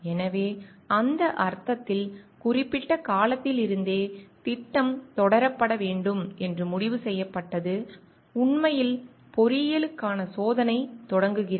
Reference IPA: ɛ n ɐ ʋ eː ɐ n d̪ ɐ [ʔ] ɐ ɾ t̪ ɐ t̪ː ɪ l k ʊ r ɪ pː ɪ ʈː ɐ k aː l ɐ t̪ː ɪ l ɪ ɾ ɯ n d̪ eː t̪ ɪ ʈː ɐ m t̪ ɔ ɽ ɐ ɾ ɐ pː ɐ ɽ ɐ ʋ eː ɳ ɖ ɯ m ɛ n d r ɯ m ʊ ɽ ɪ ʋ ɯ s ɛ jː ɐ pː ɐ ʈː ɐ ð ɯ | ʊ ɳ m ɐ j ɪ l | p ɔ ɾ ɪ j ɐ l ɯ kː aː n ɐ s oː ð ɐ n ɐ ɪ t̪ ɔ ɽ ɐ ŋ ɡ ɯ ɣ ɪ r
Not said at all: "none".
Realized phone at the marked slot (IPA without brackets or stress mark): ʔ